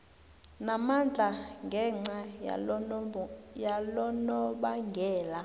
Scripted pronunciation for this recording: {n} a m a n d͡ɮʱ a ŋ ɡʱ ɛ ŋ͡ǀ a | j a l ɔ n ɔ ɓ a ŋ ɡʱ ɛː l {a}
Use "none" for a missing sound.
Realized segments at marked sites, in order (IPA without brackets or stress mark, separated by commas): n, a